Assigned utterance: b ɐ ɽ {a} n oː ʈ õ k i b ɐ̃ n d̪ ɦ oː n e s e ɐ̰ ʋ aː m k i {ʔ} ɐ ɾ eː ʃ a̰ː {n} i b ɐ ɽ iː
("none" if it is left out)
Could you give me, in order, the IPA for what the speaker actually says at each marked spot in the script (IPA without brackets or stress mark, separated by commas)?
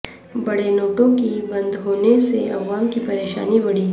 e, p, n